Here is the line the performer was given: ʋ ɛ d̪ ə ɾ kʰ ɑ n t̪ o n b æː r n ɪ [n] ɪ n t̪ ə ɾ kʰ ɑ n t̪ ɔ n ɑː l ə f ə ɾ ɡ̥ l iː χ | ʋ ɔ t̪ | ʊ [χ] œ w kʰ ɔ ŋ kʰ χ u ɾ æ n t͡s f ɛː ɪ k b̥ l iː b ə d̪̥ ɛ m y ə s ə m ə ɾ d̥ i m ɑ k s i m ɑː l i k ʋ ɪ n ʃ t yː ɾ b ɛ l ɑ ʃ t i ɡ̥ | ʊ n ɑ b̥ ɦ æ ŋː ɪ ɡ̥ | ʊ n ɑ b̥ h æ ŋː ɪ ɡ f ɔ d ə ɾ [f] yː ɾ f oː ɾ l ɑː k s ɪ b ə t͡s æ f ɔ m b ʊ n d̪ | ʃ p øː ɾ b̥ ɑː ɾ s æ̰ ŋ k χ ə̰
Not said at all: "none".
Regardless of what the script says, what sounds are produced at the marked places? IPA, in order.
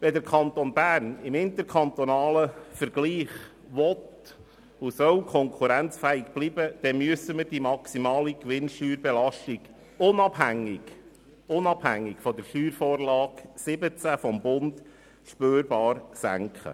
m, s, ʃ

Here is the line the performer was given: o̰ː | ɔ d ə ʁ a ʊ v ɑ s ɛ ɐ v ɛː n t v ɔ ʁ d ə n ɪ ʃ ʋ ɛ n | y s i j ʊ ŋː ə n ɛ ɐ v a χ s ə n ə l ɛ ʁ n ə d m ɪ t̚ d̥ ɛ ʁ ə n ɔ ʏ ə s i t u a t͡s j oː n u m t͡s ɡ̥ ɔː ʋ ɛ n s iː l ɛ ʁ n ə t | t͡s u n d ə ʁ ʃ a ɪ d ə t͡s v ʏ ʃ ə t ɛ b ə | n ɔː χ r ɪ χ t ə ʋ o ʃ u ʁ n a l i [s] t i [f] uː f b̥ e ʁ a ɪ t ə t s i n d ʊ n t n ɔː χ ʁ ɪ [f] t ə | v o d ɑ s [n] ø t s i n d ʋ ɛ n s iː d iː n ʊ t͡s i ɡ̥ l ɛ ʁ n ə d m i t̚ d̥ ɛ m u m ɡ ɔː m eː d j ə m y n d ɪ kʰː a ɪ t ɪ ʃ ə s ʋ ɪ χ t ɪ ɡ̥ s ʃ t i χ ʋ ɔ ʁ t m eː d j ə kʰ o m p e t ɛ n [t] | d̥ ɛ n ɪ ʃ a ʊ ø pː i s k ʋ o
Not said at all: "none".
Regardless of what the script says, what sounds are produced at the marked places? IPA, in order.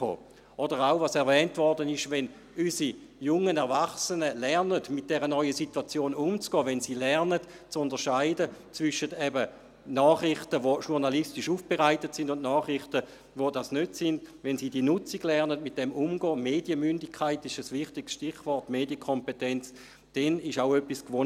s, ʃ, χ, n, t͡s

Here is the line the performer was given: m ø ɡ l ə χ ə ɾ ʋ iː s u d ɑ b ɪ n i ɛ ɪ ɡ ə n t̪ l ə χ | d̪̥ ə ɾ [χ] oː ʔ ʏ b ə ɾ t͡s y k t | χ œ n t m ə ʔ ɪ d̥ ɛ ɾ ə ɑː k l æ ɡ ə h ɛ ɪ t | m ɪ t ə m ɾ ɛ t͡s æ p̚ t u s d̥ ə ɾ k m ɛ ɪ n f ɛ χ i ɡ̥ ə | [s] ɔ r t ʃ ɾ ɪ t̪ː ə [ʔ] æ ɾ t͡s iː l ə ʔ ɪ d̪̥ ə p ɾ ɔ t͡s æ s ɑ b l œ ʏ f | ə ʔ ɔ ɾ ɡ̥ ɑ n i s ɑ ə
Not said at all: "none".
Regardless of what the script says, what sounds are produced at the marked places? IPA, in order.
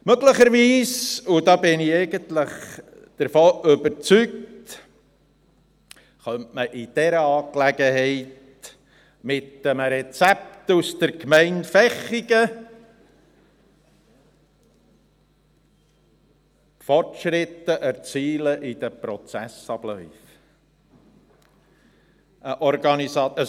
f, f, ʔ

